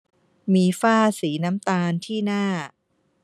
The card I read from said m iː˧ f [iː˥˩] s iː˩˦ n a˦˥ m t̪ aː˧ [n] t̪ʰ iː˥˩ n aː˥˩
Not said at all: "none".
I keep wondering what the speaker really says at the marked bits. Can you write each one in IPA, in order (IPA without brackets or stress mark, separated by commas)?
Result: aː˥˩, n